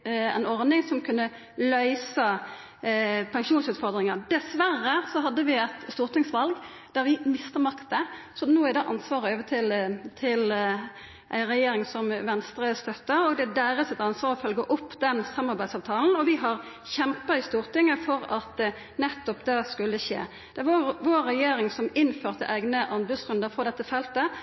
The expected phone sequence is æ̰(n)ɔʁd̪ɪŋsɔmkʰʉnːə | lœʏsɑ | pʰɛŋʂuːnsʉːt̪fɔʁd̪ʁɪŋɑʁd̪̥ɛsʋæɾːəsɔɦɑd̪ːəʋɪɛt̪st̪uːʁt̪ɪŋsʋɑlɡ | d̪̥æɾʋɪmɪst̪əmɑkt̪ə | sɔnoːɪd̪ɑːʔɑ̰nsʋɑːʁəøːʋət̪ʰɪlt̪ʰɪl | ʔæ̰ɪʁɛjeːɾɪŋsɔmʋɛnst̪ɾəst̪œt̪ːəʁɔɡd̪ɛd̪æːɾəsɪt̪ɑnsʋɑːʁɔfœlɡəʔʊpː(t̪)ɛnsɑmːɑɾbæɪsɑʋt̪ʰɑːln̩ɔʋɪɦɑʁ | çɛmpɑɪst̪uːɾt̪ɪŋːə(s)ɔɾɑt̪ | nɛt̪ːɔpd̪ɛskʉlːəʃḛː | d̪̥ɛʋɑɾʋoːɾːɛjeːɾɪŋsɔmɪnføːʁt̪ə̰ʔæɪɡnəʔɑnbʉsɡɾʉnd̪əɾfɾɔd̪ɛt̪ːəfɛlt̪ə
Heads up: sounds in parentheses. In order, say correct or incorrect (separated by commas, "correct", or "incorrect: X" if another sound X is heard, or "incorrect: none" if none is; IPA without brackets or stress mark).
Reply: correct, incorrect: d̪, incorrect: f